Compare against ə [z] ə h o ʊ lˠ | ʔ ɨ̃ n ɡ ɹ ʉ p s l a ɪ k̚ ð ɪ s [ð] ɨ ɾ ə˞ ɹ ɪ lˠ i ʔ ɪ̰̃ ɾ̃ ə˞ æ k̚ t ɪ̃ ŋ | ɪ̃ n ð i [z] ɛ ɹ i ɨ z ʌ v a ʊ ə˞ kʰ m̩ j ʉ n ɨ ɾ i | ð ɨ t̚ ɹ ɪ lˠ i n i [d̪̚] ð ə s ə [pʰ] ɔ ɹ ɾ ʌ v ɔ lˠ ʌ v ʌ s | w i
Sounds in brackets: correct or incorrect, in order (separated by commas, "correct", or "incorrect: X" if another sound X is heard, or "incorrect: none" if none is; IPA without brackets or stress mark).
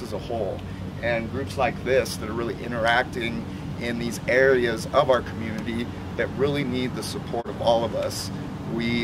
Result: correct, correct, correct, correct, correct